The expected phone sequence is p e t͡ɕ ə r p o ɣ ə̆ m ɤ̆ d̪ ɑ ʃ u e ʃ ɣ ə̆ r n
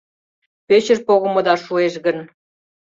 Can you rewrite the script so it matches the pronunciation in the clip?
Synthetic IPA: p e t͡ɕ ə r p o ɣ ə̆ m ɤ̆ d̪ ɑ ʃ u e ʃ ɣ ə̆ n